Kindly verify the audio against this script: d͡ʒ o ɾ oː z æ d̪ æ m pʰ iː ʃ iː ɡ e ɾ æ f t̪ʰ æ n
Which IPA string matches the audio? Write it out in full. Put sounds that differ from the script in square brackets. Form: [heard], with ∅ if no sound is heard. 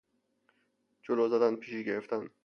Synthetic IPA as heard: d͡ʒ o [l] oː z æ d̪ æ [n] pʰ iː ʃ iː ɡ e ɾ [e] f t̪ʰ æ n